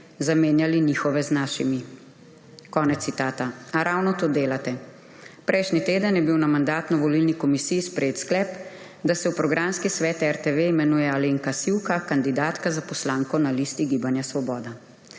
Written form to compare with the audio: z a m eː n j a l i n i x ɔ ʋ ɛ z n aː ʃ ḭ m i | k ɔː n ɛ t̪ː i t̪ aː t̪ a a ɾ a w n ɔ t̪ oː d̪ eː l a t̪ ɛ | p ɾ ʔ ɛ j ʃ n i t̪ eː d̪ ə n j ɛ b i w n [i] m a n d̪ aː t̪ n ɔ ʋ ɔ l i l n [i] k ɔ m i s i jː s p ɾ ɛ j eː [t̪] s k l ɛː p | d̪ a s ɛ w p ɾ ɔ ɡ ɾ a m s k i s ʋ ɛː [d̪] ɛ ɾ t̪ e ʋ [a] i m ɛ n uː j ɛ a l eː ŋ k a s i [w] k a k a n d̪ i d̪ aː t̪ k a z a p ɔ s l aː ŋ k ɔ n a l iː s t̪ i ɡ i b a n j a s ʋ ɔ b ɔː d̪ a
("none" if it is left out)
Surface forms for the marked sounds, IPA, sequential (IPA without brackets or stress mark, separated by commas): a, i, t̪, t̪, e, w